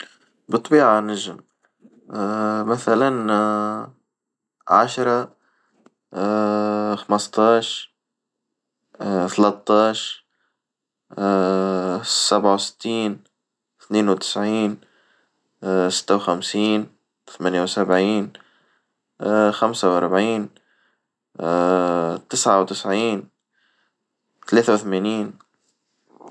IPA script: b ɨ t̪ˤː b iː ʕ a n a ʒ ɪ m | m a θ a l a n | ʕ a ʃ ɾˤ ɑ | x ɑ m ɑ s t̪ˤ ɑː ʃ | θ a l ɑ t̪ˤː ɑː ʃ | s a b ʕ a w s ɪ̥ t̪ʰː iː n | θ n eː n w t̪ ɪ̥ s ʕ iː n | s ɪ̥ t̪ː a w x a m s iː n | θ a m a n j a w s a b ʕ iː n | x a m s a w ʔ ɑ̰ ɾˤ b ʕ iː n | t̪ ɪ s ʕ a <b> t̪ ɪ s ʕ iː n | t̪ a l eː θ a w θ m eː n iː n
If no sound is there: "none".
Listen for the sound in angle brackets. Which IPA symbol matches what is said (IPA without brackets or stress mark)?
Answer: w